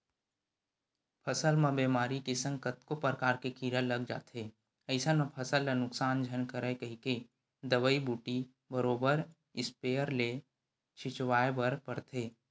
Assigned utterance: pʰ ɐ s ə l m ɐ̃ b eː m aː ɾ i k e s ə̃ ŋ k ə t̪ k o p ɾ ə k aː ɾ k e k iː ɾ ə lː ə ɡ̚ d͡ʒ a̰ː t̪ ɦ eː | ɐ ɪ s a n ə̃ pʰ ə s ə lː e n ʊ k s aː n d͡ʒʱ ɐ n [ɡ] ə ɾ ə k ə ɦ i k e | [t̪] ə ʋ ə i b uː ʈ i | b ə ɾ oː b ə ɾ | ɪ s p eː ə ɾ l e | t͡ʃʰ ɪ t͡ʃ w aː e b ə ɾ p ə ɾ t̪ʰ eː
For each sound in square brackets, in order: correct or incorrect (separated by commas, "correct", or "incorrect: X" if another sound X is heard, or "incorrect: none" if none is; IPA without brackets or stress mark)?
incorrect: k, incorrect: d̪